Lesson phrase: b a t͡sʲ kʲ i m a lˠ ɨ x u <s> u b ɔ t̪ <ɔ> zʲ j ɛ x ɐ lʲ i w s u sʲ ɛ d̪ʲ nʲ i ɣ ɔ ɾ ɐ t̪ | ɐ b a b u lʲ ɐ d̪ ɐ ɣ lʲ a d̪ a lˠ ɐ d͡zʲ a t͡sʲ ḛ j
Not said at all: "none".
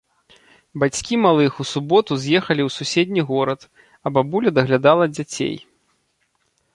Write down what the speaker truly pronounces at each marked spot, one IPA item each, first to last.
s, u

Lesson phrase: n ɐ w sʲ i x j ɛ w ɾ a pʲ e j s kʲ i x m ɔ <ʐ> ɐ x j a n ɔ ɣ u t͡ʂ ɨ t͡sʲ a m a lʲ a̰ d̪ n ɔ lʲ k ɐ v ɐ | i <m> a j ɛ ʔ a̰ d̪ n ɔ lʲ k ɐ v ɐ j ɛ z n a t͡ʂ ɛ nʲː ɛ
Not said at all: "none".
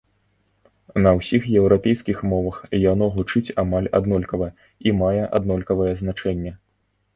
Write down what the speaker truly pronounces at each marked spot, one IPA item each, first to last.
v, m

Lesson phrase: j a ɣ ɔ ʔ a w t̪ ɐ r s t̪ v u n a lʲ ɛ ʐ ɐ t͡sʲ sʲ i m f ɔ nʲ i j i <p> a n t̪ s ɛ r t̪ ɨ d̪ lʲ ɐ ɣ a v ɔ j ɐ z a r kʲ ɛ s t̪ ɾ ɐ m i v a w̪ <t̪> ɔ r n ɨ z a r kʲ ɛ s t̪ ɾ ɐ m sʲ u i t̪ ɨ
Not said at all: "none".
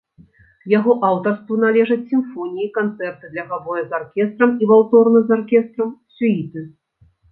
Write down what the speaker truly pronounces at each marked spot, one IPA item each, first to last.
k, t̪

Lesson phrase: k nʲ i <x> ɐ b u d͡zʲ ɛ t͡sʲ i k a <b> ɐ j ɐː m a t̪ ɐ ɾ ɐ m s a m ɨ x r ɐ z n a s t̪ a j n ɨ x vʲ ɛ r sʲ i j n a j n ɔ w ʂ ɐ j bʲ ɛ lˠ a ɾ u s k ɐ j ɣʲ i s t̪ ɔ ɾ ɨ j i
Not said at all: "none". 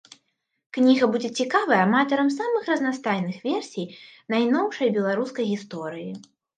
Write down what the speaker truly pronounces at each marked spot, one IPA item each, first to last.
ɣ, v

